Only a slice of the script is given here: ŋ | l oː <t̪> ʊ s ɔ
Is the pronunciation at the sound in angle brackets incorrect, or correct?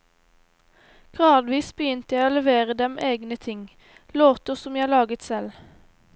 correct